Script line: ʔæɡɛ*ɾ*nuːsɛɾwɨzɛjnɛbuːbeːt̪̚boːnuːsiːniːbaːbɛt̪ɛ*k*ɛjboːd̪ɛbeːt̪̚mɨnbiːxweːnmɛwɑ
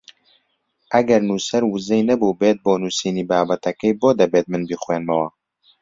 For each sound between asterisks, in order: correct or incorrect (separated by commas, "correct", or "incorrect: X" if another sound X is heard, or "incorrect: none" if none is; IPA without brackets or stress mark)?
correct, correct